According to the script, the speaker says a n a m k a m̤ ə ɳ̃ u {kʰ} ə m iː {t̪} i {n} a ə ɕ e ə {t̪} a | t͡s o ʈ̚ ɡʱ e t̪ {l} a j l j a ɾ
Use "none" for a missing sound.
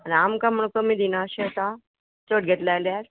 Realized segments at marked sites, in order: k, d̪, n, t̪, l

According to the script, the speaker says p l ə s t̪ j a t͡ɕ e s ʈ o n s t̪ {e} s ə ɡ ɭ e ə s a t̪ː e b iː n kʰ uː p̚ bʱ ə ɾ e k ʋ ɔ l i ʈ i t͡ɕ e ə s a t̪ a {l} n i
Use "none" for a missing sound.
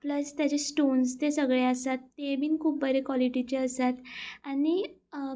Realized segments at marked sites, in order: e, none

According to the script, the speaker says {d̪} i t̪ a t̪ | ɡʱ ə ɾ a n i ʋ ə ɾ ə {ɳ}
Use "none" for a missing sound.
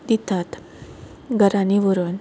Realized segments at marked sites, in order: d̪, n

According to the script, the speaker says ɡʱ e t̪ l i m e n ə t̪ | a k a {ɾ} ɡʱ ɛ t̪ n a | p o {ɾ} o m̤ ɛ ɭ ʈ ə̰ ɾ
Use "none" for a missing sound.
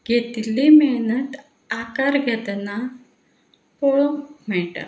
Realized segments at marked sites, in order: ɾ, ɭ

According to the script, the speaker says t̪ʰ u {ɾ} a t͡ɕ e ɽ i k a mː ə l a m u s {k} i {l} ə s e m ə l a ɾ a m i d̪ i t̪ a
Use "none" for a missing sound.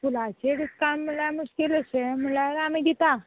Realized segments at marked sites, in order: l, k, l

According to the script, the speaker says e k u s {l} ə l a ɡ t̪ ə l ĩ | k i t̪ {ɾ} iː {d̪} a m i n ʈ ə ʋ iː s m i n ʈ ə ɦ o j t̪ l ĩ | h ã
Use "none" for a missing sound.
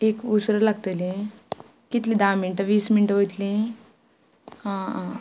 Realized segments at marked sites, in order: ɾ, l, d̪

